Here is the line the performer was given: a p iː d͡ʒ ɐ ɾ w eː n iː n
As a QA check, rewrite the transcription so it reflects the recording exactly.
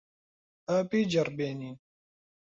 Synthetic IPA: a p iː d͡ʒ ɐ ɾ b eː n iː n